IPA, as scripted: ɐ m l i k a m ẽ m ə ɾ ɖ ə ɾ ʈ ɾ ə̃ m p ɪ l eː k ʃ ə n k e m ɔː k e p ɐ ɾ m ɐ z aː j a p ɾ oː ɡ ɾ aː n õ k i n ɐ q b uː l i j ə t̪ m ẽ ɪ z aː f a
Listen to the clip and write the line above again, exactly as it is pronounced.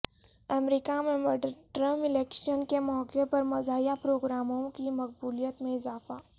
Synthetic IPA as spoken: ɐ m ɾ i k a m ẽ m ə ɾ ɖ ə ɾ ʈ ɾ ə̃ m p ɪ l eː k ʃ ə n k e m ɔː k e p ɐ ɾ m ɐ z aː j a p ɾ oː ɡ ɾ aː m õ k i m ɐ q b uː l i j ə t̪ m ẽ ɪ z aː f a